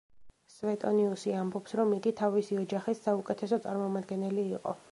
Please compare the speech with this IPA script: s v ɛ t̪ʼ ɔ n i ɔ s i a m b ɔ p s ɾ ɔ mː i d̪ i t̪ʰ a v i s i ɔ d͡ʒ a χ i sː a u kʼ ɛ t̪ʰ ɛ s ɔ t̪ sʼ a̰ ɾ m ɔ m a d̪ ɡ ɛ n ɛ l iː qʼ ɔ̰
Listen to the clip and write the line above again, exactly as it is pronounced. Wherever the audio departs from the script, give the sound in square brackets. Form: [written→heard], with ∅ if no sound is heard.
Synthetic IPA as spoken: s v ɛ t̪ʼ ɔ n i [ɔ→u] s i a m b ɔ p s ɾ ɔ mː i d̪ i t̪ʰ a v i s i ɔ d͡ʒ a χ i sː a u kʼ ɛ t̪ʰ ɛ s ɔ t̪ sʼ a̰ ɾ m ɔ m a d̪ ɡ ɛ n ɛ l iː qʼ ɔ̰

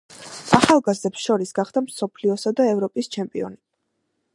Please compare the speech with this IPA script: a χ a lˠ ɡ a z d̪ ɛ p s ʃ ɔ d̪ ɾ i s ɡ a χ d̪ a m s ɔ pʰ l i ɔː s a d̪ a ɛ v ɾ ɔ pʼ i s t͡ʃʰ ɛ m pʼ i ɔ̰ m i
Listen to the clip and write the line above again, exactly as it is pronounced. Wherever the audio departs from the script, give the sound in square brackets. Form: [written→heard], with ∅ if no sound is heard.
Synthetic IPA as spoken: a χ a lˠ ɡ a z d̪ ɛ p s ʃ ɔ [d̪→∅] ɾ i s ɡ a χ d̪ a m s ɔ pʰ l i [ɔː→ɔ] s a d̪ a ɛ v ɾ ɔ pʼ i s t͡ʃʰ ɛ m pʼ i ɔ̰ [m→n] i

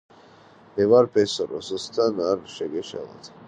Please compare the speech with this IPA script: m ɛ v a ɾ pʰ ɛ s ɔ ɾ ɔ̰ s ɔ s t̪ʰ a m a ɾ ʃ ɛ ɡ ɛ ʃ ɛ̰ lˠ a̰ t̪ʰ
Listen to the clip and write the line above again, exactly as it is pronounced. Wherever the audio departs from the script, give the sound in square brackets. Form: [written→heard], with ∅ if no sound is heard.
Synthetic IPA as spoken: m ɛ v a ɾ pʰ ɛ s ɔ ɾ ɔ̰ s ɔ s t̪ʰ a [m→n] a ɾ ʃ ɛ ɡ ɛ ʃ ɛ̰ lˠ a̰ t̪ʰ

